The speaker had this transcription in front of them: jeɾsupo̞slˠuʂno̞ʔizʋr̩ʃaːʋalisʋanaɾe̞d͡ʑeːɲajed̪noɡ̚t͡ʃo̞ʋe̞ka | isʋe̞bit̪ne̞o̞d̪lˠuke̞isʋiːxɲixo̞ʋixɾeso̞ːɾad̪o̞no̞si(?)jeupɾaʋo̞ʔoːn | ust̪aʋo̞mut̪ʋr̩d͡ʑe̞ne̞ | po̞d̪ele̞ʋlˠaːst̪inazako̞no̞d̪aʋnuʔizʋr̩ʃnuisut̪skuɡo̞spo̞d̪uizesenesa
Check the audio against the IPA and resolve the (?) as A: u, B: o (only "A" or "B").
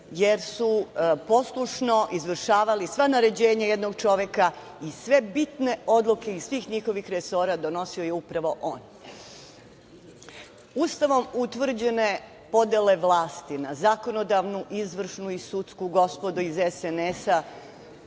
B